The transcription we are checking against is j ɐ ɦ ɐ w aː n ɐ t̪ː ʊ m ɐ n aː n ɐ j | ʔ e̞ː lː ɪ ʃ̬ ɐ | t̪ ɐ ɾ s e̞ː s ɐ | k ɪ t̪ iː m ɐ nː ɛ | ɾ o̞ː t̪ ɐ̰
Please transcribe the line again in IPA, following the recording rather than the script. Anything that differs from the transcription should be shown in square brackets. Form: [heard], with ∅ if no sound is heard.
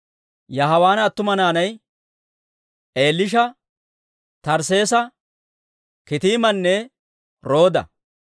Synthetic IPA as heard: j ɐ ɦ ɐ w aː n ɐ t̪ː ʊ m ɐ n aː n ɐ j | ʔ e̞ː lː ɪ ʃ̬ ɐ | t̪ ɐ ɾ s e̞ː s ɐ | k ɪ t̪ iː m ɐ nː ɛ | ɾ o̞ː [d̪] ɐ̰